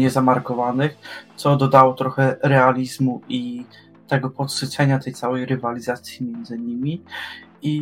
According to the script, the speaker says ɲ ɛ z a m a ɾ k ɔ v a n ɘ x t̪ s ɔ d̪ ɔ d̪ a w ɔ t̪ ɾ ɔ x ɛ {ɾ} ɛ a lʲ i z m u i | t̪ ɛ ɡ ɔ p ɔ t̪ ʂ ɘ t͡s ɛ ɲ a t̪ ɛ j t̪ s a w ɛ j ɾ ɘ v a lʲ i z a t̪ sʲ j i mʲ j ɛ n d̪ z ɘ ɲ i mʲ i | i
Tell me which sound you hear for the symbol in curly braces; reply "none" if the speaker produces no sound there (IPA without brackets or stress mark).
ɾ